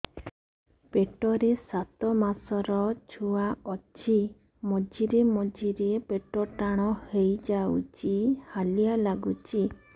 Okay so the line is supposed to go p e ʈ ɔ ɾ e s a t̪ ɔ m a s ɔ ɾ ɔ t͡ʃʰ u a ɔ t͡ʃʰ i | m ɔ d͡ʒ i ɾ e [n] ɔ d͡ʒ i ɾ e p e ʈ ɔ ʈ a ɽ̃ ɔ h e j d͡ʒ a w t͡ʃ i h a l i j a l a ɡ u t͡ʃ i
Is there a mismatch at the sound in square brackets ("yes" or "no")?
yes